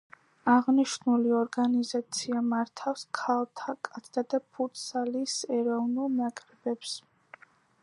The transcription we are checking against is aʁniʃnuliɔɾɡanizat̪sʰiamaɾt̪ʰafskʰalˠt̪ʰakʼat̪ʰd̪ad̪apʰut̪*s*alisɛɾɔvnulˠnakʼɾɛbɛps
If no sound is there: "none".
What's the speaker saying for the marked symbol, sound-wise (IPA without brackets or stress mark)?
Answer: s